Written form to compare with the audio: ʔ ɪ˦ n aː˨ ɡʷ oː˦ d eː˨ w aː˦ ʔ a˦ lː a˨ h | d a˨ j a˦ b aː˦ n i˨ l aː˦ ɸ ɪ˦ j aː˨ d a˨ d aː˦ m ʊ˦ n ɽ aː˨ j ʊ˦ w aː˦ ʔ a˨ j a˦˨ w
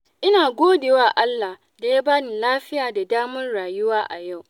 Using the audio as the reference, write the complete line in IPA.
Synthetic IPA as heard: ʔ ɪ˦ n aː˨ ɡʷ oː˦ d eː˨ w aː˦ ʔ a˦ lː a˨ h | d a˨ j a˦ b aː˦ n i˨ l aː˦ ɸ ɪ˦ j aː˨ d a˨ d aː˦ m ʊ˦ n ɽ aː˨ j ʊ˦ w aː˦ ʔ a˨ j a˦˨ w